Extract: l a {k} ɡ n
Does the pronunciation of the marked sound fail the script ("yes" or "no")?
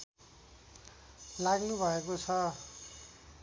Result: yes